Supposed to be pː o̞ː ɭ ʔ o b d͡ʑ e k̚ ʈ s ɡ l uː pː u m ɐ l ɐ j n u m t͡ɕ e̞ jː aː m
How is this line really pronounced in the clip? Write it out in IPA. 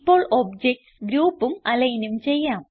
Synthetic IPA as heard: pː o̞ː ɭ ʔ o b d͡ʑ e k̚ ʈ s ɡ ɾ uː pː u m ɐ l ɐ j n u m t͡ɕ e̞ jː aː m

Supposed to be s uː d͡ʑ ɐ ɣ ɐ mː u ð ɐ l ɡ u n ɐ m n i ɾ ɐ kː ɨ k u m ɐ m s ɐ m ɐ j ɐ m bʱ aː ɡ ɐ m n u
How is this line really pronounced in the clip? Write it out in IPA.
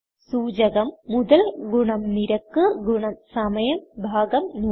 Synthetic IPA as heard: s uː d͡ʑ ɐ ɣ ɐ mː u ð ɐ l ɡ u ɳ ɐ m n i ɾ ɐ kː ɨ ɡ u ɳ ɐ m s ɐ m ɐ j ɐ m bʱ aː ɡ ɐ m n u

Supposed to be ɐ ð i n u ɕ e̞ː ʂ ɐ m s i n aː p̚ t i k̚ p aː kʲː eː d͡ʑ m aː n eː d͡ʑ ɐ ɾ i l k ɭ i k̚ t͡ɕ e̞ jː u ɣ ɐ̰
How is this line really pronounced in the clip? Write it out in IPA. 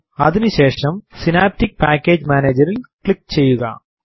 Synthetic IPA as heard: ɐ ð i n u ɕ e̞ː ʂ ɐ m s i n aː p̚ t i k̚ p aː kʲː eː d͡ʑ m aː n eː d͡ʑ ɐ ɾ i l k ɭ i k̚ t͡ɕ e̞ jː u ɣ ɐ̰

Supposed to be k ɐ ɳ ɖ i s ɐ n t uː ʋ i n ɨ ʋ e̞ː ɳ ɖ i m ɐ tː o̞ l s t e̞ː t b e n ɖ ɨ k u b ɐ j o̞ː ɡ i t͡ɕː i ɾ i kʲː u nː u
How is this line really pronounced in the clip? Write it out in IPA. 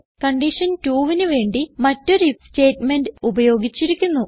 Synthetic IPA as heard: k ɐ ɳ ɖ i ʂ ɐ n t uː ʋ i n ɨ ʋ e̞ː ɳ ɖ i m ɐ tː o̞ ɾ s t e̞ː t m e n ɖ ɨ u b ɐ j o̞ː ɡ i t͡ɕː i ɾ i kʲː u nː u

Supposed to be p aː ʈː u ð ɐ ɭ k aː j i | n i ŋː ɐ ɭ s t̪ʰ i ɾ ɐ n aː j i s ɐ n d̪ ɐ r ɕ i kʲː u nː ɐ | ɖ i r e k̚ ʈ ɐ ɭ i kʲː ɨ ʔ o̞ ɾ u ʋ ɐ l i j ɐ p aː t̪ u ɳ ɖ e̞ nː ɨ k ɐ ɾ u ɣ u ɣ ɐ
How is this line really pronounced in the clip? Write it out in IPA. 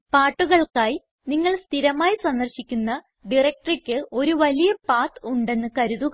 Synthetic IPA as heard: p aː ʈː u ɣ ɐ ɭ k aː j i | n i ŋː ɐ ɭ s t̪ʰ i ɾ ɐ m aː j i s ɐ n d̪ ɐ r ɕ i kʲː u nː ɐ | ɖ i r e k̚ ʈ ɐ r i kʲː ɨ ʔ o̞ ɾ u ʋ ɐ l i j ɐ p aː t̪ u ɳ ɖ e̞ nː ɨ k ɐ ɾ u ð u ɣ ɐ

